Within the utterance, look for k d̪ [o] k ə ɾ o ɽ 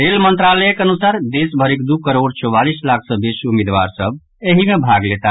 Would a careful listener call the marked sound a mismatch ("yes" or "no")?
yes